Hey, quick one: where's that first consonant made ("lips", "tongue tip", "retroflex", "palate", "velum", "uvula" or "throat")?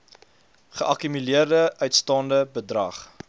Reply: uvula